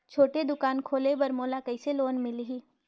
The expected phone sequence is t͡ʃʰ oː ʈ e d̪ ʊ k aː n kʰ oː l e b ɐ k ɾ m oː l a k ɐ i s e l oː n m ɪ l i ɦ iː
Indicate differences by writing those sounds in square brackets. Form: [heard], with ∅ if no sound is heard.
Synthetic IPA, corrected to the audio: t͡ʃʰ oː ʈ e d̪ ʊ k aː n kʰ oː l e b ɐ [∅] ɾ m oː l a k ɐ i s e l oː n m ɪ l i ɦ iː